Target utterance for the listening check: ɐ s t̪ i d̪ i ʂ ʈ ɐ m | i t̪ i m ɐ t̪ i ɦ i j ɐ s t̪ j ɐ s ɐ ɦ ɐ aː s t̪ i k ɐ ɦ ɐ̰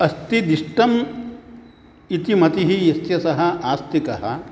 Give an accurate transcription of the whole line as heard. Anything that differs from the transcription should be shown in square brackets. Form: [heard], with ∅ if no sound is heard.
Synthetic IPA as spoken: ɐ s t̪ i d̪ i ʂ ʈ ɐ m | i t̪ i m ɐ t̪ i ɦ i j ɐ s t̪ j ɐ s ɐ ɦ ɐ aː s t̪ i k ɐ ɦ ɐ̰

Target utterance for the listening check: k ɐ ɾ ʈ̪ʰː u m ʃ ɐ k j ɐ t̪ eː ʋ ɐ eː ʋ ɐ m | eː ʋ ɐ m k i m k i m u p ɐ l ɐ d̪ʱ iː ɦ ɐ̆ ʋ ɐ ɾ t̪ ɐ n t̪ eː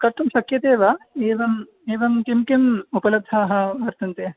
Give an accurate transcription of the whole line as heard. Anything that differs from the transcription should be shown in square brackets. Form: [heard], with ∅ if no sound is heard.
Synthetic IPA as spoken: k ɐ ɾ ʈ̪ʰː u m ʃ ɐ k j ɐ t̪ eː ʋ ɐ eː ʋ ɐ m | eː ʋ ɐ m k i m k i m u p ɐ l ɐ d̪ʱ [aː] ɦ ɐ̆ ʋ ɐ ɾ t̪ ɐ n t̪ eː

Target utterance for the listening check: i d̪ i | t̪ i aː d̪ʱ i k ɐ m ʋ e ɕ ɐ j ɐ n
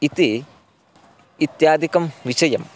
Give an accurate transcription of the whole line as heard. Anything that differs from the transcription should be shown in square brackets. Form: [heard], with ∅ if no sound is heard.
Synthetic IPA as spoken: i [t̪] i | t̪ [j] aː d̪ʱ i k ɐ m ʋ [i] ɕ ɐ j ɐ [m]

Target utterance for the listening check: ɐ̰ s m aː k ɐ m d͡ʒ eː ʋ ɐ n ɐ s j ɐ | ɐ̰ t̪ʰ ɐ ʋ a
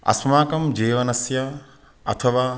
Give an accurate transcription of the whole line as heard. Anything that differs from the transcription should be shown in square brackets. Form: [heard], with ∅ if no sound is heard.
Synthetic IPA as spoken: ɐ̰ s m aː k ɐ m d͡ʒ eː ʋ ɐ n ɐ s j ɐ | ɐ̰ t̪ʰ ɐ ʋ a

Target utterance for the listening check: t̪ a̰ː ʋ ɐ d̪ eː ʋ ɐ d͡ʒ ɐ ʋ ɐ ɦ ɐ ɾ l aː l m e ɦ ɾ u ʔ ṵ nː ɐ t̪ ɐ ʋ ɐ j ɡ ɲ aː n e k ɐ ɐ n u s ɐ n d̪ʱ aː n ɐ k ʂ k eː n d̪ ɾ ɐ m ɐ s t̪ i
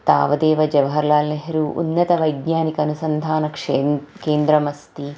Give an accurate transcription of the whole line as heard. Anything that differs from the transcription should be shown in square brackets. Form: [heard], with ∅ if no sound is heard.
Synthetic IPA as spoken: t̪ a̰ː ʋ ɐ d̪ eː ʋ ɐ d͡ʒ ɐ ʋ ɐ ɦ ɐ ɾ l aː l [n] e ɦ ɾ u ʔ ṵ nː ɐ t̪ ɐ ʋ ɐ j ɡ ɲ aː n [i] k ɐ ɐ n u s ɐ n d̪ʱ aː n ɐ k ʂ k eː n d̪ ɾ ɐ m ɐ s t̪ i

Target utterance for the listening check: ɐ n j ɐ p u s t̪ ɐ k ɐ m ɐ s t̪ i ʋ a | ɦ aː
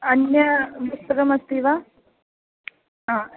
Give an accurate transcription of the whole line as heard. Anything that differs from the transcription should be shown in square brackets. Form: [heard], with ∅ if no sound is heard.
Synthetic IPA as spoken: ɐ n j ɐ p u s t̪ ɐ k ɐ m ɐ s t̪ i ʋ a | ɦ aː

